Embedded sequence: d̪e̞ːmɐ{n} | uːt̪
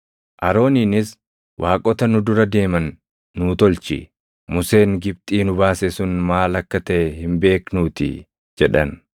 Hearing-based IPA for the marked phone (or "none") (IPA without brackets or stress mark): nː